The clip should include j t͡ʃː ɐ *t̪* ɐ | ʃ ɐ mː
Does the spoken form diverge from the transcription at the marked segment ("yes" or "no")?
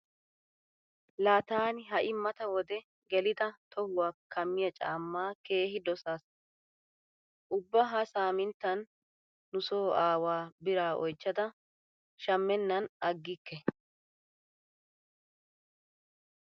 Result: yes